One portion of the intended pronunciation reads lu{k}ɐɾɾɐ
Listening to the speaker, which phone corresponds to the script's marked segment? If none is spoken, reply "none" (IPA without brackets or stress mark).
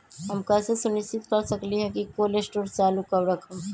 k